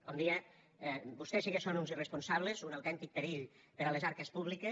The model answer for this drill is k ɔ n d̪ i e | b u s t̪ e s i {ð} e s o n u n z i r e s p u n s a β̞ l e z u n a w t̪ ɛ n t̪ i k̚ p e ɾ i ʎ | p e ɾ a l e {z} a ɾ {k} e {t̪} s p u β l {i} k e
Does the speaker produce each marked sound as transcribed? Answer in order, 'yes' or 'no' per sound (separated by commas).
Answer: no, yes, yes, no, yes